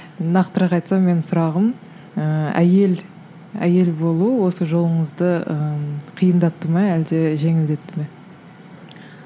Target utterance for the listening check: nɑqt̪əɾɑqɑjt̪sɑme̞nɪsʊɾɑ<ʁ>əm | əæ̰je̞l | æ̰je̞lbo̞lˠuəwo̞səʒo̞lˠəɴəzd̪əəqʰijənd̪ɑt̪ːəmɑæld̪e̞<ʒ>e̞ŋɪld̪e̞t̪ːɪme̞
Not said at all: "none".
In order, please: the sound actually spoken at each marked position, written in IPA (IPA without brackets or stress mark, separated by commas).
ʁ, ʒ